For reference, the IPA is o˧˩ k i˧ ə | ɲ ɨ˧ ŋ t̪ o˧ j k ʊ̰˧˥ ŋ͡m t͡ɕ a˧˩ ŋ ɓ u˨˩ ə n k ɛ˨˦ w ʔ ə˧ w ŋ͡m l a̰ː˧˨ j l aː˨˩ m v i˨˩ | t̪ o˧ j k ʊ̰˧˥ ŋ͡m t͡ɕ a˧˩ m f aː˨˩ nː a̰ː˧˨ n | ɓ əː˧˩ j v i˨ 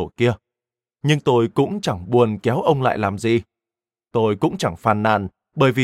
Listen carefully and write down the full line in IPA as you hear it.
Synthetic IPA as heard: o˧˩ k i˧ ə | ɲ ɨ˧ ŋ t̪ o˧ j k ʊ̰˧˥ ŋ͡m t͡ɕ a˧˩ ŋ ɓ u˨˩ ə n k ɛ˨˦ w ʔ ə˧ w ŋ͡m l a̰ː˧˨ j l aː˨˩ m z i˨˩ | t̪ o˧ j k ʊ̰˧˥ ŋ͡m t͡ɕ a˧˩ ŋ f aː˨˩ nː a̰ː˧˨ n | ɓ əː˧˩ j v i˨